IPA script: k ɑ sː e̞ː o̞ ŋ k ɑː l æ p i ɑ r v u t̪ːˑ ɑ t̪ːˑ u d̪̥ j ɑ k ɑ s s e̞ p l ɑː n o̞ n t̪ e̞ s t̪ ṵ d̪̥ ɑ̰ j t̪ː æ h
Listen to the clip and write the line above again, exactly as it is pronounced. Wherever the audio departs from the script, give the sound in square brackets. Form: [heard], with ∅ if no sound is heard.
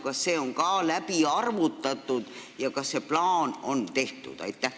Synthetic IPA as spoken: k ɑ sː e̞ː o̞ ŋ k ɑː l æ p i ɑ r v u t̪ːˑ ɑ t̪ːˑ u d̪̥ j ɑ k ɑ s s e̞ p l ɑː n o̞ n t̪ e̞ [h] t̪ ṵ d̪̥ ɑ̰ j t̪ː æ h